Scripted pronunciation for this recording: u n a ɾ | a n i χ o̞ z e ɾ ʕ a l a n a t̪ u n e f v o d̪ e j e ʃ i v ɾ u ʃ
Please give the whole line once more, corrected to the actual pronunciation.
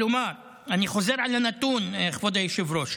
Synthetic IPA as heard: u m a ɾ | a n i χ o̞ z e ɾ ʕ a l a n a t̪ u n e χ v o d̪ a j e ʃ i v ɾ o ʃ

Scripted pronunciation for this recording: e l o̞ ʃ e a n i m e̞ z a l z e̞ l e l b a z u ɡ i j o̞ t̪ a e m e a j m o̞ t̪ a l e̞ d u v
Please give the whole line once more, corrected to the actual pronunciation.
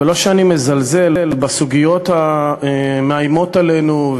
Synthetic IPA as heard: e l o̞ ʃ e a n i m e̞ z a l z e̞ l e l b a s u ɡ i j o̞ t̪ a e m e a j m o̞ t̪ a l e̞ n u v

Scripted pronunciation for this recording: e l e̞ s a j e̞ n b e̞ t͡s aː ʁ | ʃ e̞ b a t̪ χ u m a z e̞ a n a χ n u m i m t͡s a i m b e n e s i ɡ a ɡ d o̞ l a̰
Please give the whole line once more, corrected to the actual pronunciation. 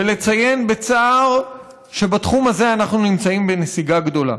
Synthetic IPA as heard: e l e̞ t͡s a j e̞ n b e̞ t͡s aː ʁ | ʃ e̞ b a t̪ χ u m a z e̞ a n a χ n u n i m t͡s a i m b e n e s i ɡ a ɡ d o̞ l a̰

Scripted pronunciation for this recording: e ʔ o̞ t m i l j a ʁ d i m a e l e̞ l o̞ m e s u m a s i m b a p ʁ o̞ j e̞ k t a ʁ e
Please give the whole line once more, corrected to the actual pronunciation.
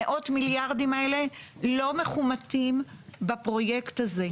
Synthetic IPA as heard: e ʔ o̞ t m i l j a ʁ d i m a e l e̞ l o̞ m e χ u m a t i m b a p ʁ o̞ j e̞ k t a z e

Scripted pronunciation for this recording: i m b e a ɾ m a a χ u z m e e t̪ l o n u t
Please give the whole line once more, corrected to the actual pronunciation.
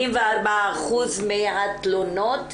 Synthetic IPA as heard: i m v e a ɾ b a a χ u z m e a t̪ l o n o t

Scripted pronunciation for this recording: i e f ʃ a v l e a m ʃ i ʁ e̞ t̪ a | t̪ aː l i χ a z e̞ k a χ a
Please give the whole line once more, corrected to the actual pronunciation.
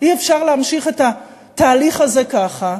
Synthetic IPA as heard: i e f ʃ a ʁ l e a m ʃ i χ e̞ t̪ a | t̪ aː l i χ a z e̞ k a χ a

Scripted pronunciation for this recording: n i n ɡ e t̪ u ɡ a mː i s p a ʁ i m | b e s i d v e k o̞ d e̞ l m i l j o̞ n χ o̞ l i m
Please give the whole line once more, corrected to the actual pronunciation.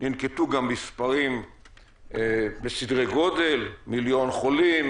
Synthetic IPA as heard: n i n k e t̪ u ɡ a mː i s p a ʁ i m | b e s i d ʁ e ɡ o̞ d e̞ l m i l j o̞ n χ o̞ l i m

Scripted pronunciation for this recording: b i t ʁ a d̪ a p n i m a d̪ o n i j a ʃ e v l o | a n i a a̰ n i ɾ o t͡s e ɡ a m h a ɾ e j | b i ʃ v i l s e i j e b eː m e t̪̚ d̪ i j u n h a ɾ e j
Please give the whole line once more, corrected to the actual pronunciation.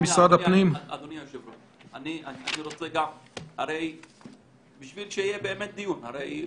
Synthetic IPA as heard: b i s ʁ a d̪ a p n i m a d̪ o n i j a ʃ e v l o | a n i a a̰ n i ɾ o t͡s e ɡ a m h a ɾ e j | b i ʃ v i l ʃ e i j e b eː m e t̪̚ d̪ i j u n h a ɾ e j

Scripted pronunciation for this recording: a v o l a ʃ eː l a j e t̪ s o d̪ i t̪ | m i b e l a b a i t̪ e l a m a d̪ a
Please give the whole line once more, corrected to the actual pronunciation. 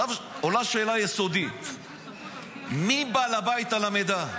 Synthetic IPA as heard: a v o l a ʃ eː l a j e s o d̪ i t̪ | m i b a l a b a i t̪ a l a m e d̪ a

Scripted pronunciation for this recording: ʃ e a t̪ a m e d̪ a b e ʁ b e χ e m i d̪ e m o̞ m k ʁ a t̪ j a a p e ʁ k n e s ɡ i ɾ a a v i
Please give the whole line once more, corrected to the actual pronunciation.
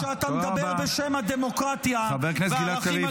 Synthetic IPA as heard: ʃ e a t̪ a m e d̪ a b e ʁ b e ʃ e m a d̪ e m o̞ k ʁ a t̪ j a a b e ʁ k n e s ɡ i l a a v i

